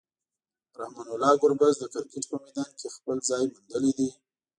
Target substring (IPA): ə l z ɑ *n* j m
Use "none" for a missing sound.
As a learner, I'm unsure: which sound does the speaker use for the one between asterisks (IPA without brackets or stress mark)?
none